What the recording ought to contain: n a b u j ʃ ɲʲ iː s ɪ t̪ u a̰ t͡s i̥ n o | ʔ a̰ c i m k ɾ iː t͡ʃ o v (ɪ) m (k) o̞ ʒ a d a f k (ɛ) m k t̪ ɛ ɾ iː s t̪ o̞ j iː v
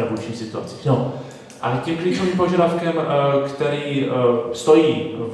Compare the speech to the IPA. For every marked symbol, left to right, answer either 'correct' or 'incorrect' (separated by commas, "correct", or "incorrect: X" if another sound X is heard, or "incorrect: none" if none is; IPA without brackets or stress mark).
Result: incorrect: i, incorrect: p, correct